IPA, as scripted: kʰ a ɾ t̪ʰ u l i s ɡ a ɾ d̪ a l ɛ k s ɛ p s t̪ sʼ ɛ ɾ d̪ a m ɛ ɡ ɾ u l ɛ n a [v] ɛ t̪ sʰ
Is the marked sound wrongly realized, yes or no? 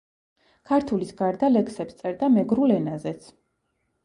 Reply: yes